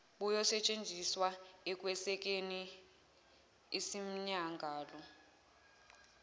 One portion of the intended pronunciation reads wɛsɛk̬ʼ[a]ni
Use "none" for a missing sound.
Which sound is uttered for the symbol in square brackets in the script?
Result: e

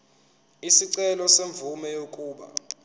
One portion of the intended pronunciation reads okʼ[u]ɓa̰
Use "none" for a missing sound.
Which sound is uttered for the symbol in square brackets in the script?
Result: uː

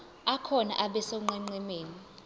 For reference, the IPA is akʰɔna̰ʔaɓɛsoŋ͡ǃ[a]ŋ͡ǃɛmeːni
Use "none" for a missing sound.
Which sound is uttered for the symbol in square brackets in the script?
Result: ɛ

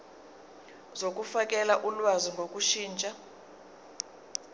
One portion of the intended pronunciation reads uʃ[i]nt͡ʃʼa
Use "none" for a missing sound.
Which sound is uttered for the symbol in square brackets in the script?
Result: iː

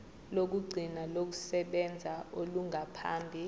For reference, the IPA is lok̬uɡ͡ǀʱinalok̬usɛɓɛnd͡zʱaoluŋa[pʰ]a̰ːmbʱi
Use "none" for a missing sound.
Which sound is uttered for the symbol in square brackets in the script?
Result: pʰ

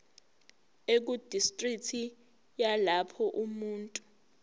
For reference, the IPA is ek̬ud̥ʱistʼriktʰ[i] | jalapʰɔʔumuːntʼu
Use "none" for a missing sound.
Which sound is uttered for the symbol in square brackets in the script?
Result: i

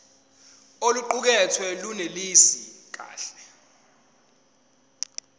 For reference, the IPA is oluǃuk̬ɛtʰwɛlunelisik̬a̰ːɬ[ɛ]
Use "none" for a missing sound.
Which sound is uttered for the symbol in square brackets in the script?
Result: ɛ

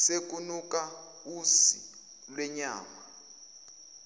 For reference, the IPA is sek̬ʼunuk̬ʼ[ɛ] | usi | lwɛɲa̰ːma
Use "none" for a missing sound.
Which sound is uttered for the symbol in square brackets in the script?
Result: a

